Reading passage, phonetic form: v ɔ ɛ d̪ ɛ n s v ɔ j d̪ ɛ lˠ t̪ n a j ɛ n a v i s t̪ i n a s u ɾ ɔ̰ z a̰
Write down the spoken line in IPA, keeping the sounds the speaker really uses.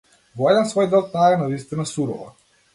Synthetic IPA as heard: v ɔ ɛ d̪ ɛ n s v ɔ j d̪ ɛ lˠ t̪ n a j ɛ n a v i s t̪ i n a s u ɾ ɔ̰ v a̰